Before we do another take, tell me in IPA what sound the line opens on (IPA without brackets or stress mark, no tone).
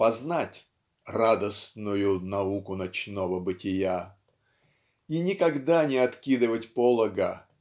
p